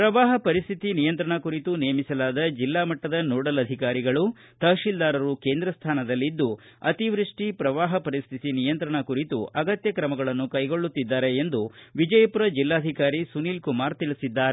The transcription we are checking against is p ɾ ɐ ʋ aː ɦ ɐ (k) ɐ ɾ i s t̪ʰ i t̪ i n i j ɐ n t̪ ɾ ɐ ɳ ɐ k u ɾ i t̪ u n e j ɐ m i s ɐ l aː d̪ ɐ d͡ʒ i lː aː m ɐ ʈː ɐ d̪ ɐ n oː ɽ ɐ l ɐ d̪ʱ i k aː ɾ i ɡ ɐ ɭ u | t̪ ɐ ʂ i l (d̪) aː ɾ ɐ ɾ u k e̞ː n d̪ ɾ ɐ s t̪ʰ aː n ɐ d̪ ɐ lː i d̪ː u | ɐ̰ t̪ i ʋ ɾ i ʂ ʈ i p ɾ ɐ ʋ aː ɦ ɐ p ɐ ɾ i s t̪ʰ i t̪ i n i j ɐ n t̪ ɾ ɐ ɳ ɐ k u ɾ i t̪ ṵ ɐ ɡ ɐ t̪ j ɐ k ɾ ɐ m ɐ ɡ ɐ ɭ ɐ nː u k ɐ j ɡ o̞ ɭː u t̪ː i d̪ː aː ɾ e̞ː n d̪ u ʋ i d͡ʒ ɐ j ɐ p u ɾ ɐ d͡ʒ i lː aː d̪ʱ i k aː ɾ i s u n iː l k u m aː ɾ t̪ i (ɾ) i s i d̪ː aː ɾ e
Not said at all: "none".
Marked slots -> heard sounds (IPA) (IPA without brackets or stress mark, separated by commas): p, d̪, ɭ